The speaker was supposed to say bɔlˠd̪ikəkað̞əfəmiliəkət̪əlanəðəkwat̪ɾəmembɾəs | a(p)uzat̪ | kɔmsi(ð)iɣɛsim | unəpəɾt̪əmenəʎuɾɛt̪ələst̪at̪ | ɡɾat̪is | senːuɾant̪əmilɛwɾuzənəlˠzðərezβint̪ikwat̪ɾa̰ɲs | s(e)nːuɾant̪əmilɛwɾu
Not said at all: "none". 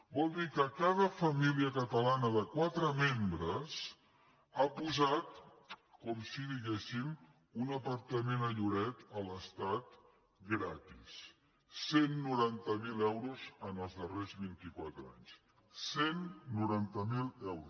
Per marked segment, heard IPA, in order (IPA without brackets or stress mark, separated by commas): p, ð, e